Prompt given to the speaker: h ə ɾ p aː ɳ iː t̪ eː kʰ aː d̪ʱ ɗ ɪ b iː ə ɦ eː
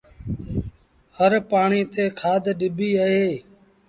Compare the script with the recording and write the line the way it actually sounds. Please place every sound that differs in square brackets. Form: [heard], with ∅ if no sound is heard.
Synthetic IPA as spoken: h ə ɾ p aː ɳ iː t̪ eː kʰ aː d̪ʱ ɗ ɪ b iː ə ɦ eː